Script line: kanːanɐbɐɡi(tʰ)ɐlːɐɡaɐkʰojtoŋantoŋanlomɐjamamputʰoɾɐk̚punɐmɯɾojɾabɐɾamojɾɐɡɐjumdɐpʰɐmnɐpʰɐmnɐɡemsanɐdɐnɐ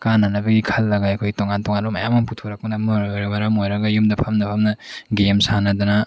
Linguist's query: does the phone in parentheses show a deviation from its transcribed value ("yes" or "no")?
yes